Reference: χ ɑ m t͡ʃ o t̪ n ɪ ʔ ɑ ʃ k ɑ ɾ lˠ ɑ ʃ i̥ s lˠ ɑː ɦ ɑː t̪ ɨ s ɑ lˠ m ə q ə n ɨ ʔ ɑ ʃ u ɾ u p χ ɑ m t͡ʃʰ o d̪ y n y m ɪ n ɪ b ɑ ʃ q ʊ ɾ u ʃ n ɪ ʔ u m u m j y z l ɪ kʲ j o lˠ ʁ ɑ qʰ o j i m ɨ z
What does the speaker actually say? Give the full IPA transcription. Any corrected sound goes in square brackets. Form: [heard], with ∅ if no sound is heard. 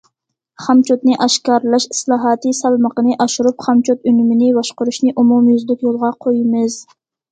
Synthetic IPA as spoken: χ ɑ m t͡ʃ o t̪ n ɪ ʔ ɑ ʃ k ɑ ɾ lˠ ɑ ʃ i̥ s lˠ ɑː ɦ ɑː t̪ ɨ s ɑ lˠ m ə q ə n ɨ ʔ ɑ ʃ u ɾ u p χ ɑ m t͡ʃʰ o [t̪] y n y m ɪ n ɪ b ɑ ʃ q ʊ ɾ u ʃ n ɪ ʔ u m u m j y z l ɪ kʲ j o lˠ ʁ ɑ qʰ o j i m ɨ z